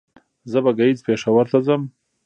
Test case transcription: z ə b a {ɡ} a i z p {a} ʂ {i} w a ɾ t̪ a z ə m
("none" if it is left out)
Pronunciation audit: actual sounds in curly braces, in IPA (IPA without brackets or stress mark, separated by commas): ɡ, e, a